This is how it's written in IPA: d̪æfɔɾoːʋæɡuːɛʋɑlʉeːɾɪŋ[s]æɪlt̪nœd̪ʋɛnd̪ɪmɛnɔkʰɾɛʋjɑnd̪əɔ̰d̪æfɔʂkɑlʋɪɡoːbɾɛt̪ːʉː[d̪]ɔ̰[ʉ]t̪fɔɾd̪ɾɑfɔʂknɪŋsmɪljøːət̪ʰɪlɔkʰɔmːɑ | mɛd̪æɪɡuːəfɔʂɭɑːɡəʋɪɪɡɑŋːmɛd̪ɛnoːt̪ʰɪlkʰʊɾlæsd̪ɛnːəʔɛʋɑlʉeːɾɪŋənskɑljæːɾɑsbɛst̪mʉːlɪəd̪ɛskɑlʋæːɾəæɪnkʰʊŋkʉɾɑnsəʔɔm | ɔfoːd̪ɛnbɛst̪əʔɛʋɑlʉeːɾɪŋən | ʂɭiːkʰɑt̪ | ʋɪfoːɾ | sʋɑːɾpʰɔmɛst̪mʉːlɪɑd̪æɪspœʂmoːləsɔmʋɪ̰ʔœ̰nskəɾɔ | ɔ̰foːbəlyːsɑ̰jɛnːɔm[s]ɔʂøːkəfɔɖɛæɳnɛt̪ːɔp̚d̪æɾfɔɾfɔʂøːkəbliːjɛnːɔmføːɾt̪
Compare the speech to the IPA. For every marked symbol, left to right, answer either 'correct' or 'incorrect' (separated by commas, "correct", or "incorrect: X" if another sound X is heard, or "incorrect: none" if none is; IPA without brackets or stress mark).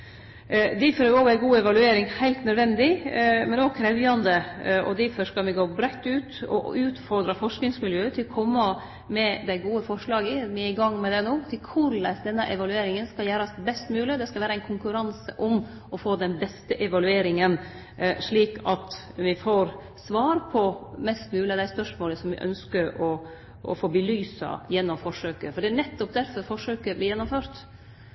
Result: incorrect: h, incorrect: t̪, incorrect: ʉː, incorrect: f